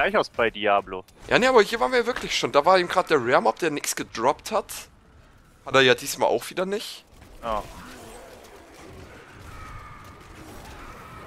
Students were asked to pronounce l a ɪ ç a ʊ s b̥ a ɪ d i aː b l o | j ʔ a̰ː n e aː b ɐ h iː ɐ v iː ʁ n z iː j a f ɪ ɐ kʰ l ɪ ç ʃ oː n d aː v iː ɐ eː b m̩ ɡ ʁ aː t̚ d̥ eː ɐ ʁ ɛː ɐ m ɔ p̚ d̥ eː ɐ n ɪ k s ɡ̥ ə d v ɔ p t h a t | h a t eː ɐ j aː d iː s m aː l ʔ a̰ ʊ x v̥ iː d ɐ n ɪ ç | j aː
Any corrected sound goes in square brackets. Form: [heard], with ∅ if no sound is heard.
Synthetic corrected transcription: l a ɪ ç a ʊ s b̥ a ɪ d i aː b l o | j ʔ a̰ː n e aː b ɐ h iː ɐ v [aː] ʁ n [v] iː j a [v] ɪ ɐ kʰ l ɪ ç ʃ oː n d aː v [aː] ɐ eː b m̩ ɡ ʁ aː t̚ d̥ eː ɐ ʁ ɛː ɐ m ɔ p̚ d̥ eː ɐ n ɪ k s ɡ̥ ə d [ʁ] ɔ p t h a t | h a t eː ɐ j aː d iː s m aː l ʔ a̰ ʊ x v̥ iː d ɐ n ɪ ç | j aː